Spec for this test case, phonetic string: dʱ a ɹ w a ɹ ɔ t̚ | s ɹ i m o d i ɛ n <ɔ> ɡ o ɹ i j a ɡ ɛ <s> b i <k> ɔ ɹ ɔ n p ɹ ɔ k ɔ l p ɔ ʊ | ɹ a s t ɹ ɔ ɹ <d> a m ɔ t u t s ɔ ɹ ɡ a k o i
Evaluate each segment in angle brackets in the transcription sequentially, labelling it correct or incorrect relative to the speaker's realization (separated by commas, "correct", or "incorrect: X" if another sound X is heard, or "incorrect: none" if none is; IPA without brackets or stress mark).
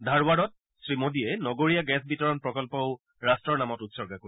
correct, correct, incorrect: t, incorrect: n